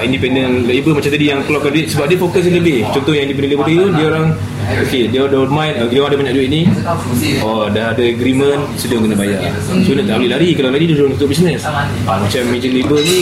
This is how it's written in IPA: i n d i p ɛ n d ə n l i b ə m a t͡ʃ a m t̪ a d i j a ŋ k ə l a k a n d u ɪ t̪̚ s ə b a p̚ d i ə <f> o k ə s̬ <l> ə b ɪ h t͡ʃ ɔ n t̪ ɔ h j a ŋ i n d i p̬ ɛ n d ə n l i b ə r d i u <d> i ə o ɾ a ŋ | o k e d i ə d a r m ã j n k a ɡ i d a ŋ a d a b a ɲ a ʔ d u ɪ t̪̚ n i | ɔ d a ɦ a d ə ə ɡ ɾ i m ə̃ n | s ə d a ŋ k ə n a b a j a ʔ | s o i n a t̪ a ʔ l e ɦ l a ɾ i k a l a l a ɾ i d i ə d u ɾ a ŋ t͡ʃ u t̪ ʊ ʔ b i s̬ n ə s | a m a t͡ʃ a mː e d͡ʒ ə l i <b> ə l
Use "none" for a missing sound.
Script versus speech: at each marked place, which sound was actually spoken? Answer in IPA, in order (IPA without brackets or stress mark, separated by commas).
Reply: f, l, d, b